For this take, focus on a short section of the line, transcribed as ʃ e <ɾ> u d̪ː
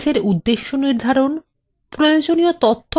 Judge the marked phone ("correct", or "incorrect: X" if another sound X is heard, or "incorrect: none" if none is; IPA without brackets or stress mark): correct